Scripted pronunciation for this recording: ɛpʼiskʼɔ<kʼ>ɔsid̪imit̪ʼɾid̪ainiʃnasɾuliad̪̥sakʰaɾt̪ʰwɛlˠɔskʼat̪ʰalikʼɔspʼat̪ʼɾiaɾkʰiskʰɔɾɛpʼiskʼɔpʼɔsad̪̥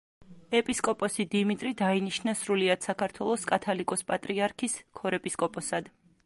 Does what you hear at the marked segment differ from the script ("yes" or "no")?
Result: yes